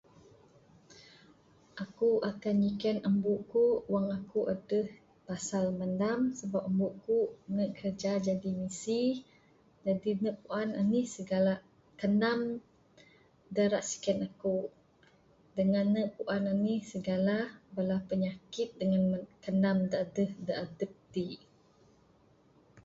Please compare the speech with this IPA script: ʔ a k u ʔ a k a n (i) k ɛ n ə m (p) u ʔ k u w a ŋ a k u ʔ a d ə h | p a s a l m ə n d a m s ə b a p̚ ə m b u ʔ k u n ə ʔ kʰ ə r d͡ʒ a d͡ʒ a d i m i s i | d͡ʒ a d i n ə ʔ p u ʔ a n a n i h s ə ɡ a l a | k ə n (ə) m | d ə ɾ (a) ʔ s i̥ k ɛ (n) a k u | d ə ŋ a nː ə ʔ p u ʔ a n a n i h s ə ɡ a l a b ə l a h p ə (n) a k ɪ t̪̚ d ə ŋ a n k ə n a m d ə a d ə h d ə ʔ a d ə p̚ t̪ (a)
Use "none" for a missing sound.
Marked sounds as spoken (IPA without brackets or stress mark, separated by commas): i, b, a, a, n, ɲ, i